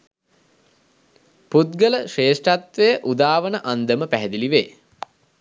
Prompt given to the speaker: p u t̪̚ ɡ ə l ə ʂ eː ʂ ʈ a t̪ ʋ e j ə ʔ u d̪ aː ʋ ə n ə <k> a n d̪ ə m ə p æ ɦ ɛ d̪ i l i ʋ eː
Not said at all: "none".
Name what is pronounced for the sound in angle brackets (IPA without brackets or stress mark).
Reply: ʔ